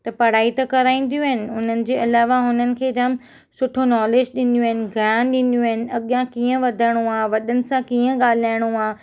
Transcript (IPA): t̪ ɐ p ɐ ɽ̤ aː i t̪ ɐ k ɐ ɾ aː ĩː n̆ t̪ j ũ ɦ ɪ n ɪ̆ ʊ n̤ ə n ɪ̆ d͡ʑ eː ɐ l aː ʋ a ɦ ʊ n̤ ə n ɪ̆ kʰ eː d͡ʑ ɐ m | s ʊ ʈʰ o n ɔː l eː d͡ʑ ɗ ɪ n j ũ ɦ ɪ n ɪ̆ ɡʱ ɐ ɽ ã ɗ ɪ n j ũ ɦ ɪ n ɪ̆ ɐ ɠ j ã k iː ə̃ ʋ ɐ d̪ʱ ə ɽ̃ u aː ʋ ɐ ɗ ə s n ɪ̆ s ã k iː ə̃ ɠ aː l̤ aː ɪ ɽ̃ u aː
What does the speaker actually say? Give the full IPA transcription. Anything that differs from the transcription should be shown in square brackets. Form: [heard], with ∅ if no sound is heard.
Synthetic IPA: t̪ ɐ p ɐ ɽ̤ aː i t̪ ɐ k ɐ ɾ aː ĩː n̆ [d̪] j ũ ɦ ɪ n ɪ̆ ʊ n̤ ə n ɪ̆ d͡ʑ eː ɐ l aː ʋ a ɦ ʊ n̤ ə n ɪ̆ kʰ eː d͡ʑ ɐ m | s ʊ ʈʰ o n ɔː l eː d͡ʑ ɗ ɪ n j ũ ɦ ɪ n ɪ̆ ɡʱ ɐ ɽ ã ɗ ɪ n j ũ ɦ ɪ n ɪ̆ ɐ ɠ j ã k iː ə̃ ʋ ɐ d̪ʱ ə ɽ̃ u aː ʋ ɐ ɗ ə [∅] n ɪ̆ s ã k iː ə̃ ɠ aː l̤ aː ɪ ɽ̃ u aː